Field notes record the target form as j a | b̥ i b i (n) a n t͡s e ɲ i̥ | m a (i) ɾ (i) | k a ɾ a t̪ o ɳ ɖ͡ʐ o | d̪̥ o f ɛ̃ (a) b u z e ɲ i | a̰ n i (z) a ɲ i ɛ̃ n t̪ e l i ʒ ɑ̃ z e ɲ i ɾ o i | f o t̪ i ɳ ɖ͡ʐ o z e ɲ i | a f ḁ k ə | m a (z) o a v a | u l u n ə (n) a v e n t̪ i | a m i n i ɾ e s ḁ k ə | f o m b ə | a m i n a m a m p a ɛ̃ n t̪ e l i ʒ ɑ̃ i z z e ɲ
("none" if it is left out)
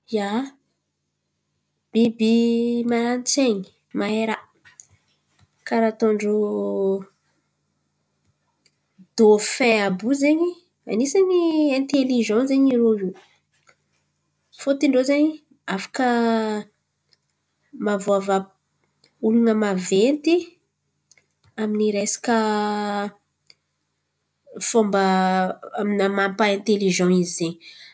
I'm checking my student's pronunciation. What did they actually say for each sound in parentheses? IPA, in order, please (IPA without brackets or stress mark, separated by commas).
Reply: m, e, a, a, s, v, m